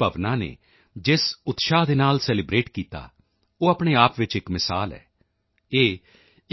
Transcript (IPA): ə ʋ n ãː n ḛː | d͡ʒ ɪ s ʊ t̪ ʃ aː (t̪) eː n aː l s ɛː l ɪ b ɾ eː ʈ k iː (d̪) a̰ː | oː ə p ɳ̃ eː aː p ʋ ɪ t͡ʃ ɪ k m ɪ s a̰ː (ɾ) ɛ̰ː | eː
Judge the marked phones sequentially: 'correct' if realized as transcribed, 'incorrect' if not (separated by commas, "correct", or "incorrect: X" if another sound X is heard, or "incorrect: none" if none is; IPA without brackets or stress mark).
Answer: incorrect: d̪, incorrect: t̪, incorrect: l